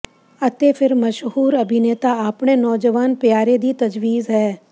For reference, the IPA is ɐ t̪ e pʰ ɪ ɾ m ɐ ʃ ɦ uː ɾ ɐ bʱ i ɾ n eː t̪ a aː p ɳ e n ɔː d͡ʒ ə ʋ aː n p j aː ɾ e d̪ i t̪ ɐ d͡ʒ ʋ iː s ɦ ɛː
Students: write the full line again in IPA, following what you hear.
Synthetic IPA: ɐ t̪ e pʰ ɪ ɾ m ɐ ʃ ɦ uː ɾ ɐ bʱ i n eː t̪ a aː p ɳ e n ɔː d͡ʒ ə ʋ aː n p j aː ɾ e d̪ i t̪ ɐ d͡ʒ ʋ iː z ɦ ɛː